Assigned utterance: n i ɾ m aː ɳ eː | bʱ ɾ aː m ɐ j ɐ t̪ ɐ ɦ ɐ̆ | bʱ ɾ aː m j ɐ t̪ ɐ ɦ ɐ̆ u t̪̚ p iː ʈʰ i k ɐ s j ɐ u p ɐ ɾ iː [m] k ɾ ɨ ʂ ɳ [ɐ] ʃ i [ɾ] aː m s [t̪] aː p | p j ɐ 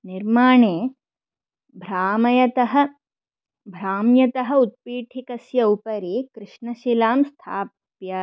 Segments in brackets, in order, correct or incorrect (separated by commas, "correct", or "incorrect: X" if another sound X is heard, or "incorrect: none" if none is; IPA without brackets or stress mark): incorrect: none, correct, incorrect: l, incorrect: t̪ʰ